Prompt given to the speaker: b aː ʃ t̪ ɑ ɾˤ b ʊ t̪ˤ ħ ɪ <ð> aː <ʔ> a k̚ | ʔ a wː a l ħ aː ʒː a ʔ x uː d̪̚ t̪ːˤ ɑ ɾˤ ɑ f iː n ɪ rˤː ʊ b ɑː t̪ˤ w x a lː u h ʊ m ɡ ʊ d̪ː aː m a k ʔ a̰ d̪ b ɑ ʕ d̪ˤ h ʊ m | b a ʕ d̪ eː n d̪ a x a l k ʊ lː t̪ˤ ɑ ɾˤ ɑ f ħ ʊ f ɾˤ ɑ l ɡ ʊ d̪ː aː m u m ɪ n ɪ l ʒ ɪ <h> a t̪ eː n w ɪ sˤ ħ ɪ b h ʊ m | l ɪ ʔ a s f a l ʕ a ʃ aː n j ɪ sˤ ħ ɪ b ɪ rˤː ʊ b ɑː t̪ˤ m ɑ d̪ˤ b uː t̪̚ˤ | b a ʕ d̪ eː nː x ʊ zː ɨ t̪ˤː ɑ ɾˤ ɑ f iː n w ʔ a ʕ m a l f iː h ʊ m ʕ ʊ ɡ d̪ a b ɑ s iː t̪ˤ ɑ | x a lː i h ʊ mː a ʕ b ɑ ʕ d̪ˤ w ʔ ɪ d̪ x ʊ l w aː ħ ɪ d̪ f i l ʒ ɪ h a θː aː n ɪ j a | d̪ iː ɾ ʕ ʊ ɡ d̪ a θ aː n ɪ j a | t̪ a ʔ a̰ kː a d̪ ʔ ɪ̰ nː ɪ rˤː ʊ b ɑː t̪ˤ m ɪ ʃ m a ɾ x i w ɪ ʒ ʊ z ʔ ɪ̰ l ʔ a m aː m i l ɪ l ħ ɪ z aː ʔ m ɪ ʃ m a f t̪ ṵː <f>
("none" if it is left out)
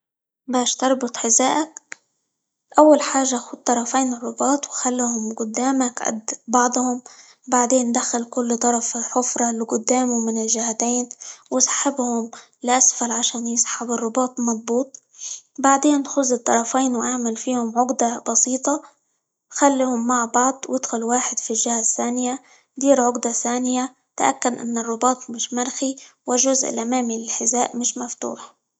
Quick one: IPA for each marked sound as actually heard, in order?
z, ʔ, h, ħ

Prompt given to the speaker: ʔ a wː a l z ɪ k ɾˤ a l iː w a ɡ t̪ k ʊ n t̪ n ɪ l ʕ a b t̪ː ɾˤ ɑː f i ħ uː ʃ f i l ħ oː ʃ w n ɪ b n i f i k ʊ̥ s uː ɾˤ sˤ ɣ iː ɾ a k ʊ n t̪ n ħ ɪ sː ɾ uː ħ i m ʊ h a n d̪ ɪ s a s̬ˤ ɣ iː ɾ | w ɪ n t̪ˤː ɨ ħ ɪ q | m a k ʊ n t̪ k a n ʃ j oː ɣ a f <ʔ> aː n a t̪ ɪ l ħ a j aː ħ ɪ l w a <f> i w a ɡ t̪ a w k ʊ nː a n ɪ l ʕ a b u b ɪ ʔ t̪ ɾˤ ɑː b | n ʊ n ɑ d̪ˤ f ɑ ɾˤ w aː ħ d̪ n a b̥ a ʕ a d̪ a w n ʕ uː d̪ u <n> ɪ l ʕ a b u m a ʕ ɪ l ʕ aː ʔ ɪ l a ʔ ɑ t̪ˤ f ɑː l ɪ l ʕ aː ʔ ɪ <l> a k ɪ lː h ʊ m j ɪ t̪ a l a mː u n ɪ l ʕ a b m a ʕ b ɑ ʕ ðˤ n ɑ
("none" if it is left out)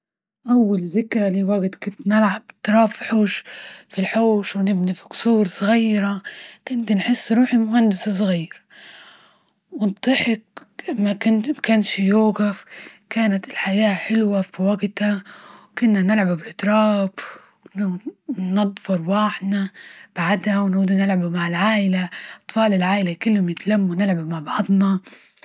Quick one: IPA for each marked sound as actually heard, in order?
k, f, n, l

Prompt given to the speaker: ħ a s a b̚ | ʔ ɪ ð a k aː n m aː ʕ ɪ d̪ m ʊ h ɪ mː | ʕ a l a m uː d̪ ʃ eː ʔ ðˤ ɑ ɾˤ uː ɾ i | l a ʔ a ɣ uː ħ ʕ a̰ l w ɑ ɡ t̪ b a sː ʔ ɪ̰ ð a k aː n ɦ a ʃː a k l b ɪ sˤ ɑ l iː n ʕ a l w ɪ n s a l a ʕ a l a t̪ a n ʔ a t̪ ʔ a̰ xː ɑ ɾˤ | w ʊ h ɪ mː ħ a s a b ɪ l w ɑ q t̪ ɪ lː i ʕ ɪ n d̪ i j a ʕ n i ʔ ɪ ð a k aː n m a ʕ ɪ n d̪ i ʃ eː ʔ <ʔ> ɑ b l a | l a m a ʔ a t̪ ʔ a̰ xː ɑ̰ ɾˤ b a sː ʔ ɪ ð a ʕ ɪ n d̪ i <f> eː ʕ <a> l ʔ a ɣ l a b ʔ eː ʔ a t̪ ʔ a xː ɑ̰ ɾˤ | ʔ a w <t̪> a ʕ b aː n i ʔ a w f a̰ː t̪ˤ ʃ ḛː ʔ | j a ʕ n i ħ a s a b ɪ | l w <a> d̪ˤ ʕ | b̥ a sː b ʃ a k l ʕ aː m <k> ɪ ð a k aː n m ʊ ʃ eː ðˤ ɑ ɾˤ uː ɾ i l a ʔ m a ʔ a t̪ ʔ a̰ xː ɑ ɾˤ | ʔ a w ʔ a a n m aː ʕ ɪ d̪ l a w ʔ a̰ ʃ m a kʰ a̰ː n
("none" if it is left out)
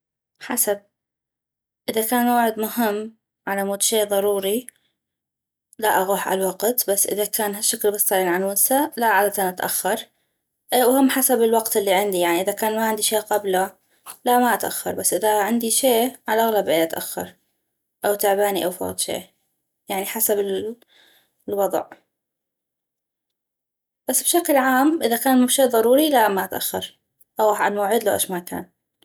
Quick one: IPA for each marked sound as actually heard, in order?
q, ʃ, a, t̪, ɑ, ʔ

